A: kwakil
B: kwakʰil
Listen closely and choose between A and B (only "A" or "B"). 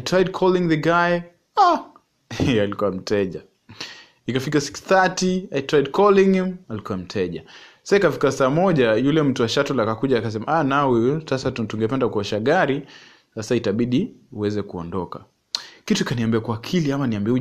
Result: B